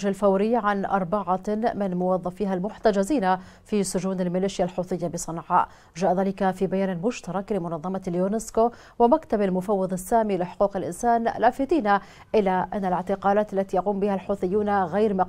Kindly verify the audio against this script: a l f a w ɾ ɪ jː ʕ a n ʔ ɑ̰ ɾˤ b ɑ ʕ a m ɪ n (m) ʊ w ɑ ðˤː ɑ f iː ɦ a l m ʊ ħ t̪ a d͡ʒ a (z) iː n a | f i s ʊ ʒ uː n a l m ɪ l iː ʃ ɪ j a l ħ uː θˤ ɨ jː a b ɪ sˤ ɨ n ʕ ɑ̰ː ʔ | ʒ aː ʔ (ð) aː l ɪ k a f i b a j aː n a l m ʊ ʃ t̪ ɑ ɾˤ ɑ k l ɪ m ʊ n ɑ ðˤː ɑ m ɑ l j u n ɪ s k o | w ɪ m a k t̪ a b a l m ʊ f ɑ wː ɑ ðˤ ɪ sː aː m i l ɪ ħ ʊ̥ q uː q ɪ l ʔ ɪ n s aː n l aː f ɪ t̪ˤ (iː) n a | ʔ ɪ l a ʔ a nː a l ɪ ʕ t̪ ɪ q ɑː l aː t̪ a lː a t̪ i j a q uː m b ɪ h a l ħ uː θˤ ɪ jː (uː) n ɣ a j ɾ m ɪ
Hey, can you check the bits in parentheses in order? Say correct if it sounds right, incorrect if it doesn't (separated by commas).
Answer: correct, correct, correct, correct, correct